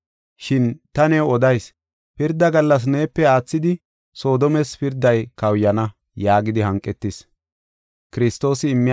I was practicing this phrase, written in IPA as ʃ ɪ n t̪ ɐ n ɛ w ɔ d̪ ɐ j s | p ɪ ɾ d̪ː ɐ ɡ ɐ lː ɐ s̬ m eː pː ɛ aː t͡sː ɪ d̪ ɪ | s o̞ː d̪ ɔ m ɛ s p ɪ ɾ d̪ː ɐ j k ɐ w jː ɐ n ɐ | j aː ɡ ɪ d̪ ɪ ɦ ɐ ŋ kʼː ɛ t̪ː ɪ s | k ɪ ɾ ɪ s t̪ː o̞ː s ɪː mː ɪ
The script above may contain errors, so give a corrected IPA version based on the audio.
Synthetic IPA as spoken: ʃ ɪ n t̪ ɐ n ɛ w ɔ d̪ ɐ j s | p ɪ ɾ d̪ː ɐ ɡ ɐ lː ɐ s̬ n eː pː ɛ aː t͡sː ɪ d̪ ɪ | s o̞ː d̪ ɔ m ɛ s p ɪ ɾ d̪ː ɐ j k ɐ w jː ɐ n ɐ | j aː ɡ ɪ d̪ ɪ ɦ ɐ ŋ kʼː ɛ t̪ː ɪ s | k ɪ ɾ ɪ s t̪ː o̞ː s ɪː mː ɪ